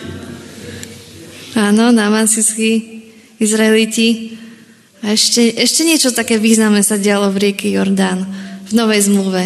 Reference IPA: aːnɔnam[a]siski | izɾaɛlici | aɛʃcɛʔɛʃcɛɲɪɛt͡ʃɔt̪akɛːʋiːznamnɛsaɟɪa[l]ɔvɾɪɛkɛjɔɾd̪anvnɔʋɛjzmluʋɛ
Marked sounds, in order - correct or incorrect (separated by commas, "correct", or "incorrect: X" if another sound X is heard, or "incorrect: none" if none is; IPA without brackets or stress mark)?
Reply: correct, correct